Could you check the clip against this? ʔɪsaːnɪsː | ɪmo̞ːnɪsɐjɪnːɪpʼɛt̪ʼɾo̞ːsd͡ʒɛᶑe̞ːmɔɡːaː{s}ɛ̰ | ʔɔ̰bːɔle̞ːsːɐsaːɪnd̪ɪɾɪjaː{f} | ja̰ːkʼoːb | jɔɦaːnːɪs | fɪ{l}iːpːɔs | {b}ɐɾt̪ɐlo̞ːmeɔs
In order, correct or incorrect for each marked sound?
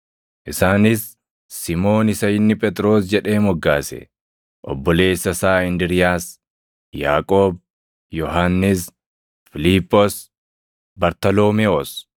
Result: correct, incorrect, correct, correct

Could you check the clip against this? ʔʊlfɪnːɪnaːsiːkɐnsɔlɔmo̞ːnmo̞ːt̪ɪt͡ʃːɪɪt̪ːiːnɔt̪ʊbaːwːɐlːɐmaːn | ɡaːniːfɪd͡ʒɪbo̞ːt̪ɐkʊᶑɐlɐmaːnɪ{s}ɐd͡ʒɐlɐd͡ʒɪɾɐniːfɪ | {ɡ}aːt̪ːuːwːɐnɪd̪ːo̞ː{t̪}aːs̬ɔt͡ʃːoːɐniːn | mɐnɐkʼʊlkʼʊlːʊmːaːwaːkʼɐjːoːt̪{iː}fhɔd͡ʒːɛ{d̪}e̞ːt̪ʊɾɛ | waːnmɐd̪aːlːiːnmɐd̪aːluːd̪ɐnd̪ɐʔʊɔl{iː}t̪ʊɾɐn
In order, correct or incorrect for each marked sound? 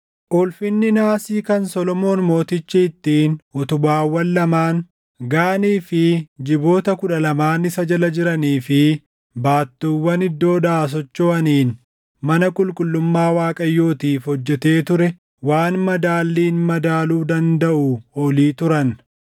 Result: correct, incorrect, incorrect, correct, incorrect, correct

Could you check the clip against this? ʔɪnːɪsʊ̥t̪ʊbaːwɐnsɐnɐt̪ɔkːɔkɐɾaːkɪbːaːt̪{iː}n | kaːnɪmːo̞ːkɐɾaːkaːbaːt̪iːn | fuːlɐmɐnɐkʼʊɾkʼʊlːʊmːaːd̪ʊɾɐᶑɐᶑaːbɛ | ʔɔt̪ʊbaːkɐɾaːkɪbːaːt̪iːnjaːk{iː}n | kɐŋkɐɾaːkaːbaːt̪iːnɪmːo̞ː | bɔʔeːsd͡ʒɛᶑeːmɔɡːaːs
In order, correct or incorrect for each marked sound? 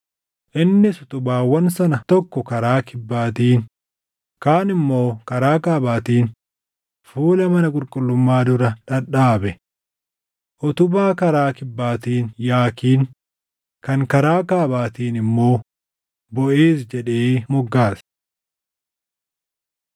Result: correct, correct

